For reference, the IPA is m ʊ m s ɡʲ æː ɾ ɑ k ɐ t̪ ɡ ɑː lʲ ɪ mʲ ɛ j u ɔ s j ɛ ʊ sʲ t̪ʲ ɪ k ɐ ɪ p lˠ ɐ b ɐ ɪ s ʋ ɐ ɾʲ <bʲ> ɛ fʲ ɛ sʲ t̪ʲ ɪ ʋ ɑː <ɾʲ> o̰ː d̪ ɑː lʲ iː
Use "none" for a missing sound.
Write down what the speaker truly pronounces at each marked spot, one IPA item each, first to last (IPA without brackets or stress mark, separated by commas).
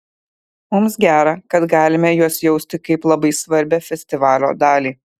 bʲ, lʲ